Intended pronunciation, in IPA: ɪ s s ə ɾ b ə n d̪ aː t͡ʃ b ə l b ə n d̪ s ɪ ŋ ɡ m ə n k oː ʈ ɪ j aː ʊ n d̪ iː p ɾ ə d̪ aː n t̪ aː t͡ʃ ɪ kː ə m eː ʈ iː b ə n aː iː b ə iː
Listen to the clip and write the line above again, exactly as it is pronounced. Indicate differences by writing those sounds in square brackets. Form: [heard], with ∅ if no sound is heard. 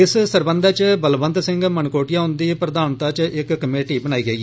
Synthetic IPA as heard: ɪ s s ə ɾ b ə n d̪ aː t͡ʃ b ə l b ə n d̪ s ɪ ŋ ɡ m ə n k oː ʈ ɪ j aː ʊ n d̪ iː p ɾ ə d̪ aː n t̪ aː t͡ʃ ɪ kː ə m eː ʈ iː b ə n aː iː [ɡ] ə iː